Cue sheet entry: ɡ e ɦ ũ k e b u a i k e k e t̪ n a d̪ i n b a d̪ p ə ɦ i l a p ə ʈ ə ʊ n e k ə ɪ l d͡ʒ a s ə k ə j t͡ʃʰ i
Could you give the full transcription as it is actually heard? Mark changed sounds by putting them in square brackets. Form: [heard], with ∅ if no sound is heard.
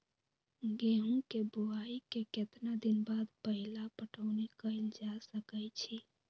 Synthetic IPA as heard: ɡ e ɦ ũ k e b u a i k e k e t̪ n a d̪ i n b a d̪ p ə ɦ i l a p ə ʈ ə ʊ n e k ə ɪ l d͡ʒ a s ə k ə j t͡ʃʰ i